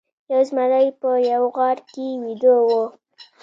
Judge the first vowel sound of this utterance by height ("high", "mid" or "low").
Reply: low